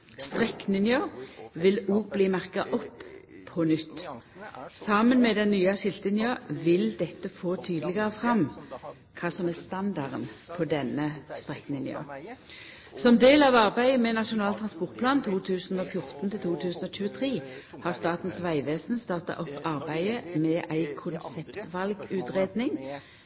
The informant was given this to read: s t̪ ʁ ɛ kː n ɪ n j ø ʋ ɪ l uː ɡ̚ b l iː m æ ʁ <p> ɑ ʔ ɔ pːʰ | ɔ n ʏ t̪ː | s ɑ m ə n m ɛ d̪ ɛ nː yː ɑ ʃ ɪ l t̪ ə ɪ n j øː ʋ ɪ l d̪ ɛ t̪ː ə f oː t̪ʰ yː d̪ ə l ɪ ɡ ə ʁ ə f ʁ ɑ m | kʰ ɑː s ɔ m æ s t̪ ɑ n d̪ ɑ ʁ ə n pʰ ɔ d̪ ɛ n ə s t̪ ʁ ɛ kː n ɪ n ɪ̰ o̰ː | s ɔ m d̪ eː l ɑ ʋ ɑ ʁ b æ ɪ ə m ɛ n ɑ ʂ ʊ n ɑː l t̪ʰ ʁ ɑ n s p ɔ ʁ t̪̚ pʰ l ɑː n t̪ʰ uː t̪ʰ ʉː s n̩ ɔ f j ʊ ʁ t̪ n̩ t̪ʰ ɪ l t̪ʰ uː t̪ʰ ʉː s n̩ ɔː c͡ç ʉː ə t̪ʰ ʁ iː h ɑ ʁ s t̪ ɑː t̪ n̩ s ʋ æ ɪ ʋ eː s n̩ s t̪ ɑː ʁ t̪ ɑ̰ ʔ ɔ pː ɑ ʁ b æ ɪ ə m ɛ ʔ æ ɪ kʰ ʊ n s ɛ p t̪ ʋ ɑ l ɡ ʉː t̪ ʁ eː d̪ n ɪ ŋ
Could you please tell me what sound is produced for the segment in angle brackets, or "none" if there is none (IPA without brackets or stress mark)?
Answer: k